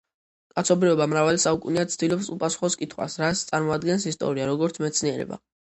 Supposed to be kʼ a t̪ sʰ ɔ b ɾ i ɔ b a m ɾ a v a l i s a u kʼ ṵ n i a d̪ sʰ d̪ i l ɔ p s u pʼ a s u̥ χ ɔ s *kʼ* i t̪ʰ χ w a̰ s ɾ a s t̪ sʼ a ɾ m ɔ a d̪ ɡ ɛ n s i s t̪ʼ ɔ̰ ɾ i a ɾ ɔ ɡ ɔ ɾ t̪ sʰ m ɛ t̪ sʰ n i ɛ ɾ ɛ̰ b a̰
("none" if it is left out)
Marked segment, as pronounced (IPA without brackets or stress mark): kʼ